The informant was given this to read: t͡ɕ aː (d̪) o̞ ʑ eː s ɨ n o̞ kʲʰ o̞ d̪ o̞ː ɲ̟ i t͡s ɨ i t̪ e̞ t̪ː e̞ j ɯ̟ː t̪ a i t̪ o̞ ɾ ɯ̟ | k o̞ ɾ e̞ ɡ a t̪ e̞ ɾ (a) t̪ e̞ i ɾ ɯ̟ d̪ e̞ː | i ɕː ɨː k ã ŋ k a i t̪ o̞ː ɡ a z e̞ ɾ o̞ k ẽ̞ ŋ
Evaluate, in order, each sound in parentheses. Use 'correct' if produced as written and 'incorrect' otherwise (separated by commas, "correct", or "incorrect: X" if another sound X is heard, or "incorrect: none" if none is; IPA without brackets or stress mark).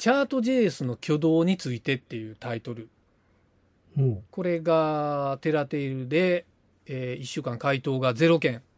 incorrect: t̪, correct